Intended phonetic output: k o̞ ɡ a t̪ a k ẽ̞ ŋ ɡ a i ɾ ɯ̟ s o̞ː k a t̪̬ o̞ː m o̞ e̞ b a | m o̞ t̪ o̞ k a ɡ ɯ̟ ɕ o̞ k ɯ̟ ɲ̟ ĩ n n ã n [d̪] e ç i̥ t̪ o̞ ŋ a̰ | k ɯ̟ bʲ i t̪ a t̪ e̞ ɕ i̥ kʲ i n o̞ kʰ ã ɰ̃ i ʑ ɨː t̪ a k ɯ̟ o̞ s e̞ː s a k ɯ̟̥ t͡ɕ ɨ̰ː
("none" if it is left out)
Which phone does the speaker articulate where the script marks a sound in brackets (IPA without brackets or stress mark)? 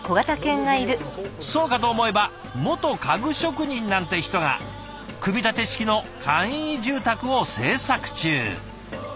t̪